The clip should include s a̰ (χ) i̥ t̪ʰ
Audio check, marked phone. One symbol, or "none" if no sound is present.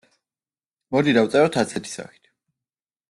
χ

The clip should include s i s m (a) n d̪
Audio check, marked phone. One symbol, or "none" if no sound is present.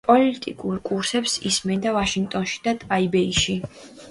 ɛ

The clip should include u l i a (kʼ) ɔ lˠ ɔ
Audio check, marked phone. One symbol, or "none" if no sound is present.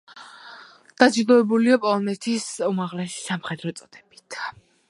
pʼ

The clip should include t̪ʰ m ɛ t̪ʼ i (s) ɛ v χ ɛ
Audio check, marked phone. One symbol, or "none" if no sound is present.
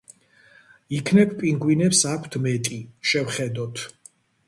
ʃ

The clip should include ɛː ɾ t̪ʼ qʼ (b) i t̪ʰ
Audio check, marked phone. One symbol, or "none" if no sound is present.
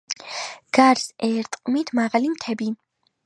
m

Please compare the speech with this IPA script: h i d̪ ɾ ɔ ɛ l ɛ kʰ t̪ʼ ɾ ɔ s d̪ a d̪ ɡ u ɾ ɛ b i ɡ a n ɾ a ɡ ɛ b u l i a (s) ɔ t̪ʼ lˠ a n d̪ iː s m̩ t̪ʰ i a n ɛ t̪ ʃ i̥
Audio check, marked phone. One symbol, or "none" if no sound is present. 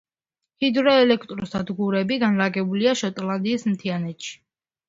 ʃ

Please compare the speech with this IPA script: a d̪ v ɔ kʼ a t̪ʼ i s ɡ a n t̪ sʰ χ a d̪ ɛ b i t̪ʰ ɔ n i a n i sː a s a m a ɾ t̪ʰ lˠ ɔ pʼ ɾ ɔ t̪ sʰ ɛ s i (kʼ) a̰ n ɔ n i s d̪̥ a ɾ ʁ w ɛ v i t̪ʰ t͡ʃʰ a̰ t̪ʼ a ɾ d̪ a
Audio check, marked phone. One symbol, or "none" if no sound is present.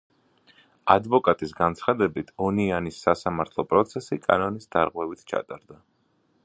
kʼ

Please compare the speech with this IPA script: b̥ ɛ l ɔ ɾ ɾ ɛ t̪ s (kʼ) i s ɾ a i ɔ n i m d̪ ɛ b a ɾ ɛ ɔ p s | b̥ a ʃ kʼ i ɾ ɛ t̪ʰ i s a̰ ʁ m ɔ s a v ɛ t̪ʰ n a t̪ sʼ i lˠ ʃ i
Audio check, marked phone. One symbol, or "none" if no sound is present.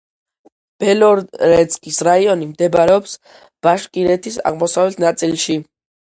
kʼ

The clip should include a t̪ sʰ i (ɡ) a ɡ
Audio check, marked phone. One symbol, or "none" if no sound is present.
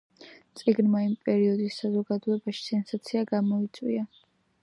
none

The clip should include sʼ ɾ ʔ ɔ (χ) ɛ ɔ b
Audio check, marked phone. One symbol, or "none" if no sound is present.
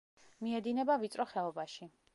χ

